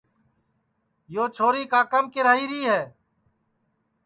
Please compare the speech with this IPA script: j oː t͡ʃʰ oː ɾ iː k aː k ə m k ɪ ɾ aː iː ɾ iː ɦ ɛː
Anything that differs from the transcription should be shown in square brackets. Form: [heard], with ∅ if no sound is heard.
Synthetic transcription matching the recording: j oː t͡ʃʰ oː ɾ iː k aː k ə m k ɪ ɾ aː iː ɾ iː ɦ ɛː